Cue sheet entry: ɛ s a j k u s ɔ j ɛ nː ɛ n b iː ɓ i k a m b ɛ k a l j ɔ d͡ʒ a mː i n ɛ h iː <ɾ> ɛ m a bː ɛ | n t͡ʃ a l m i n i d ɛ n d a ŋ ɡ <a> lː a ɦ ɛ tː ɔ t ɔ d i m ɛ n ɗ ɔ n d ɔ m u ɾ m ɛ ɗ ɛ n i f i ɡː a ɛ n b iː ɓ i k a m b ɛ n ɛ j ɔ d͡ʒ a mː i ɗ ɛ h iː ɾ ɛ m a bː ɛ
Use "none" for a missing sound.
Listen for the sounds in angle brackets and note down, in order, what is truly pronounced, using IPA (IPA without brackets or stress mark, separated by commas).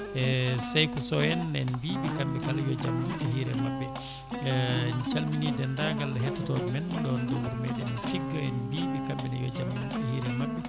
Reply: ɾ, a